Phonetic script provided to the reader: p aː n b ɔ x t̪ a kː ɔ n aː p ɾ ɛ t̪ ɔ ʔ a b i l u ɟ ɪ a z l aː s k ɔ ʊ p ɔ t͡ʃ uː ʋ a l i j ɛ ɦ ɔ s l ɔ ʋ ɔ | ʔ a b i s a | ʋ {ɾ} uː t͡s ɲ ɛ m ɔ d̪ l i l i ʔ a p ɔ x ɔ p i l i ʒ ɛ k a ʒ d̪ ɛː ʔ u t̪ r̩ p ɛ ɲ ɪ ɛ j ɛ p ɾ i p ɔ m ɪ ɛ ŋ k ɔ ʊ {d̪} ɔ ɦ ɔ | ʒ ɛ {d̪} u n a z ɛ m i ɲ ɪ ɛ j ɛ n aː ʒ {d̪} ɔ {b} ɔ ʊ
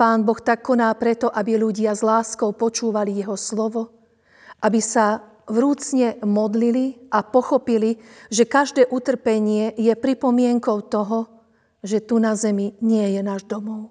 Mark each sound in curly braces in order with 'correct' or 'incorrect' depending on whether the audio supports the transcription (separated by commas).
correct, incorrect, incorrect, correct, incorrect